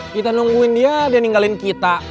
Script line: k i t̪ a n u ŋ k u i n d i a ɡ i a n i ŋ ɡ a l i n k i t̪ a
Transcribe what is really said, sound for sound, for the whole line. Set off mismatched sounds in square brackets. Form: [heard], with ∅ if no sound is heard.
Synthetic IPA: k i t̪ a n u ŋ [ɡ] u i n d i a [d] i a n i ŋ ɡ a l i n k i t̪ a